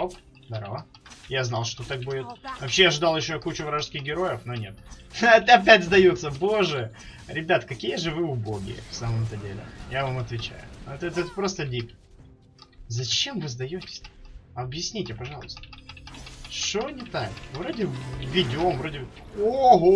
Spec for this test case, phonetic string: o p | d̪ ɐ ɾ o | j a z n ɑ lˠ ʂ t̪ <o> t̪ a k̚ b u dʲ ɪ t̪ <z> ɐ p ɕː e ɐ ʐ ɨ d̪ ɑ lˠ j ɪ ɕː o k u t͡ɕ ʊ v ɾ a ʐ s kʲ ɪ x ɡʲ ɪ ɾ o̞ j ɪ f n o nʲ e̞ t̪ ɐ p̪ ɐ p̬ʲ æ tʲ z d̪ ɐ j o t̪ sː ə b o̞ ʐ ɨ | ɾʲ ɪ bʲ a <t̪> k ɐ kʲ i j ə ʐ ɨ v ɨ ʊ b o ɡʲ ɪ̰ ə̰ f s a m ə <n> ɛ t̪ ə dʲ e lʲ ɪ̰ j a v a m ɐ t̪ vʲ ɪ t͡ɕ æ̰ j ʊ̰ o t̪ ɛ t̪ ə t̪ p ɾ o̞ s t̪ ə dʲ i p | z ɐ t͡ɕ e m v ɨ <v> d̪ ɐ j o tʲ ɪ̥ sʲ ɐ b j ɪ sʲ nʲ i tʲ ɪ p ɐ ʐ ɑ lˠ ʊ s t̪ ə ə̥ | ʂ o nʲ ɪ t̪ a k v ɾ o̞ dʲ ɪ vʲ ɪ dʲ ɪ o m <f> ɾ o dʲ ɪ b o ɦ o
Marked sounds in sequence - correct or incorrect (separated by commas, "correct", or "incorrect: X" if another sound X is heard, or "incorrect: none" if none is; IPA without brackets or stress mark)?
correct, incorrect: v, correct, incorrect: m, incorrect: z, incorrect: v